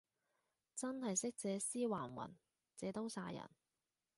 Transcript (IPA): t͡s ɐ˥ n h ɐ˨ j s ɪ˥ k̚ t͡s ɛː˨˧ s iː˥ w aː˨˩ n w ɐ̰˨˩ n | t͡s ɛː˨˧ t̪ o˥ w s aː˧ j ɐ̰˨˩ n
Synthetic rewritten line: t͡s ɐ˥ n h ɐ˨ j s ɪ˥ k̚ t͡s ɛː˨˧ s iː˥ w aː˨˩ n w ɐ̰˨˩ n | t͡s ɛː˨˧ t̪ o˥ w s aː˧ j ɐ̰˨˩ n